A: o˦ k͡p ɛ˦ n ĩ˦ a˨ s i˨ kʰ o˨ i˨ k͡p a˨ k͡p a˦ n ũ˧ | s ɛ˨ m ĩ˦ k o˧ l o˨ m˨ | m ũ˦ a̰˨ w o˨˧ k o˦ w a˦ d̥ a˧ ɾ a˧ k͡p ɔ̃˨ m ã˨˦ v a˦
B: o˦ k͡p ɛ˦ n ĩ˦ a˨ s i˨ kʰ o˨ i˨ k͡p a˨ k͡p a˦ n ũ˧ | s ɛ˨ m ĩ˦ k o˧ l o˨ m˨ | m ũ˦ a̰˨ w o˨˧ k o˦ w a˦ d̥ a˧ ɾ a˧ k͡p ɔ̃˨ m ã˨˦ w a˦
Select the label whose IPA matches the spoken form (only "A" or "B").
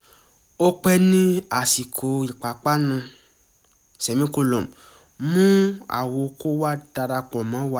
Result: B